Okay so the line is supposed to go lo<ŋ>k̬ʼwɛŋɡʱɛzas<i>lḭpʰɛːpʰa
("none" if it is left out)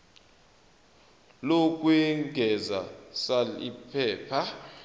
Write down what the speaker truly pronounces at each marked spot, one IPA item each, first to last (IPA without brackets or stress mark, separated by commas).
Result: none, a